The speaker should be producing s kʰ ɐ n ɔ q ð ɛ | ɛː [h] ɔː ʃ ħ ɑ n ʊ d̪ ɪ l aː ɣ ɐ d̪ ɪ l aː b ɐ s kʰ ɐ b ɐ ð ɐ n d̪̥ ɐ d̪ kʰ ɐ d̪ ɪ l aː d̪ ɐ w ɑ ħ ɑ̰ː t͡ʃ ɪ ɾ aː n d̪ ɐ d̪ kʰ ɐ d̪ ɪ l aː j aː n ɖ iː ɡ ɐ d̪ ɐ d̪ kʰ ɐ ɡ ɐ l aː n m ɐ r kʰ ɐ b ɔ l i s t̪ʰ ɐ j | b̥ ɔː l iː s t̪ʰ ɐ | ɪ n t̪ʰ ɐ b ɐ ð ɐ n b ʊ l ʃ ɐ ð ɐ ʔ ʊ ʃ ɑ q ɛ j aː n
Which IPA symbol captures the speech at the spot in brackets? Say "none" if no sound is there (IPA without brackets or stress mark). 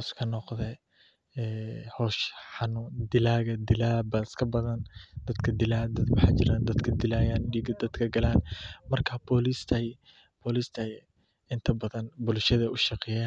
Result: h